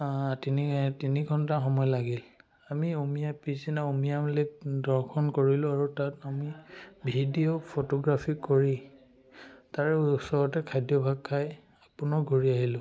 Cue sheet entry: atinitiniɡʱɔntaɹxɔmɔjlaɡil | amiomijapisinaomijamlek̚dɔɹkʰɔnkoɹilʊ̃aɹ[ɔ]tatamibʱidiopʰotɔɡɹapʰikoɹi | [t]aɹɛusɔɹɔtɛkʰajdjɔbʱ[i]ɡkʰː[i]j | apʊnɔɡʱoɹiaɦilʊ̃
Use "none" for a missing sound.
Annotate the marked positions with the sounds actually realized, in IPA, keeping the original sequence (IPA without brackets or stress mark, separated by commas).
u, t, a, a